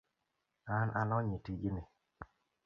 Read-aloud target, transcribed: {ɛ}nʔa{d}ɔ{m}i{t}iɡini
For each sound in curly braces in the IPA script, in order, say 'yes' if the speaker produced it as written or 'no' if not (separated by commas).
no, no, no, yes